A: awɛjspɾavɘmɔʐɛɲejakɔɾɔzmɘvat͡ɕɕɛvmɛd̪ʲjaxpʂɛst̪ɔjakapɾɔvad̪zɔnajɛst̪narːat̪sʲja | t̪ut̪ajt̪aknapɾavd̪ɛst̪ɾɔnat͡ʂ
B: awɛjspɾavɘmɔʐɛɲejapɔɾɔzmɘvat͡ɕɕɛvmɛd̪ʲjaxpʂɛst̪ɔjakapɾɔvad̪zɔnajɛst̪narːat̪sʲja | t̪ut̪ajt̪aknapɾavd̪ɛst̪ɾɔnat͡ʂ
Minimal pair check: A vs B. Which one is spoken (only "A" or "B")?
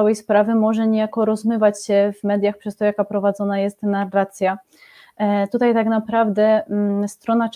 A